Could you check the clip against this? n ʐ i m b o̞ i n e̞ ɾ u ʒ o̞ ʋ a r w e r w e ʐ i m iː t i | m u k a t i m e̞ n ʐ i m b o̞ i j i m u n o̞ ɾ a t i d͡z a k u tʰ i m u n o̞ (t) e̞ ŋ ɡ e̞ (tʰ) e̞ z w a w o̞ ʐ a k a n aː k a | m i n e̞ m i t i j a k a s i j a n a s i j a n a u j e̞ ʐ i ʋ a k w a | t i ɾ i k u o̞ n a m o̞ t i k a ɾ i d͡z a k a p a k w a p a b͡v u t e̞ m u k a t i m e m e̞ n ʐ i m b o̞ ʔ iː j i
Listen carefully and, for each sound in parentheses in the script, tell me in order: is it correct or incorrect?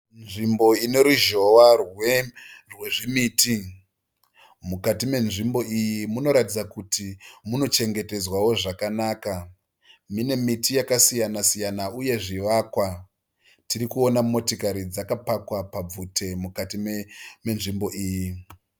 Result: incorrect, incorrect

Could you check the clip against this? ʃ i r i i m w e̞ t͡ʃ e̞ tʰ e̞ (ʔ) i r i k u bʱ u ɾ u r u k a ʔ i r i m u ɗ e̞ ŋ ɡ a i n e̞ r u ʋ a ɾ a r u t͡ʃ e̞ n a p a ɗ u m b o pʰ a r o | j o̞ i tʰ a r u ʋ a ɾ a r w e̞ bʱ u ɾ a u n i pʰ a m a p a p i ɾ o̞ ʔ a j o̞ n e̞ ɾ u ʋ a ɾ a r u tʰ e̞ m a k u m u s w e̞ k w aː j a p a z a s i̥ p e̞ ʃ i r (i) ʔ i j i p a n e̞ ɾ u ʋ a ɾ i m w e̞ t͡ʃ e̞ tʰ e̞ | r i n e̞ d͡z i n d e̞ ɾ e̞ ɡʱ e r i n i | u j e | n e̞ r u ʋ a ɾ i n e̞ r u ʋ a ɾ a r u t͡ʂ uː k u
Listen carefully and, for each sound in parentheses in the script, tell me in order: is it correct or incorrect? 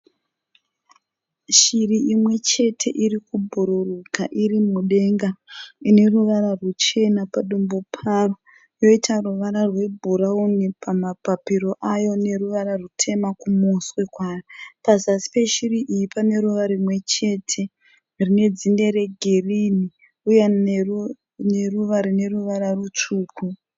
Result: correct, correct

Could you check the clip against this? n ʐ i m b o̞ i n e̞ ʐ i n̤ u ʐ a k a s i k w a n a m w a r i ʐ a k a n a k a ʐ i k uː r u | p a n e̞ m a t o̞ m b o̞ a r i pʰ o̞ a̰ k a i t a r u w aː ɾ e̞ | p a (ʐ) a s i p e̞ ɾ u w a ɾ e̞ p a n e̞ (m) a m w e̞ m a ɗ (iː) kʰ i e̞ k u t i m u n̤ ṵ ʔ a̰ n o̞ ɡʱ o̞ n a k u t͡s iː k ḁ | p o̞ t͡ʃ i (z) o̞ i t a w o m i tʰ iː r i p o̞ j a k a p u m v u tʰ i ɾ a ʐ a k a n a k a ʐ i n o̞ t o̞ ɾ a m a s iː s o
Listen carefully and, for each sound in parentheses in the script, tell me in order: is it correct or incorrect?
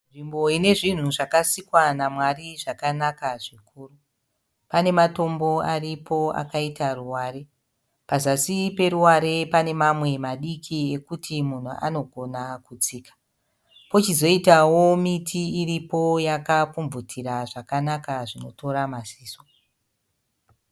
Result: incorrect, correct, incorrect, correct

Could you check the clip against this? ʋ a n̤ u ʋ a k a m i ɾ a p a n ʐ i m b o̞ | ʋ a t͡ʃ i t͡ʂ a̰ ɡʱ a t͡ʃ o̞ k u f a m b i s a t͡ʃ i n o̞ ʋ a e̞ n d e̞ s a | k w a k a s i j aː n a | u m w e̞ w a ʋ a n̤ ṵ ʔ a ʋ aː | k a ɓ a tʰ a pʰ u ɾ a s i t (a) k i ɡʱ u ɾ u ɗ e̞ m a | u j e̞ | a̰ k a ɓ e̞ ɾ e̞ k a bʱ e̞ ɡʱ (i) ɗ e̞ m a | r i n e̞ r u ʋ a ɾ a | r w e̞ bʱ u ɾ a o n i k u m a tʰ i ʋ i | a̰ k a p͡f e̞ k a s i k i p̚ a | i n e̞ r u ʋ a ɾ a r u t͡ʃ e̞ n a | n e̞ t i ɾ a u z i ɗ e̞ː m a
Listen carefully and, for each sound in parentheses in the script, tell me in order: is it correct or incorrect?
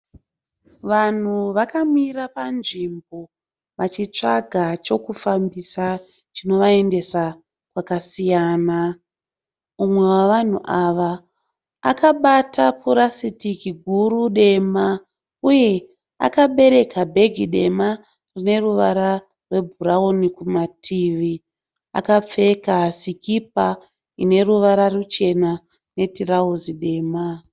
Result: incorrect, correct

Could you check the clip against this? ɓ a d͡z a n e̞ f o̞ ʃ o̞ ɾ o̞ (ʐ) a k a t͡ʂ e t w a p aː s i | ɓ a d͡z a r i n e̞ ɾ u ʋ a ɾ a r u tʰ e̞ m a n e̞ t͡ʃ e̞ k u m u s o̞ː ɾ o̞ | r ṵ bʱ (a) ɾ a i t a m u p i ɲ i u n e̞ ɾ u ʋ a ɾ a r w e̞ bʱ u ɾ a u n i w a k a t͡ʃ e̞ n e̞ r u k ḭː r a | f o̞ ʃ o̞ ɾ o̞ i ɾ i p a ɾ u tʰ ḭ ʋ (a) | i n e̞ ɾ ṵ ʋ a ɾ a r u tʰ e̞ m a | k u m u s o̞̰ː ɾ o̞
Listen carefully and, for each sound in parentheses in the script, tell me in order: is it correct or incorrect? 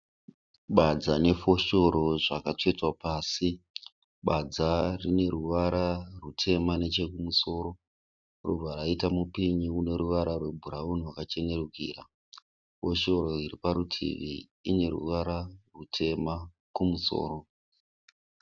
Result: correct, correct, incorrect

